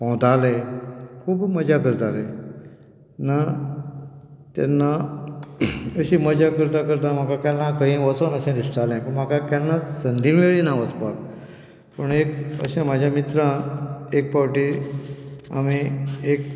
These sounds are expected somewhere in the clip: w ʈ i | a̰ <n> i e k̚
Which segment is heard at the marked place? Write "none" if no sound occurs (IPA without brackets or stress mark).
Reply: m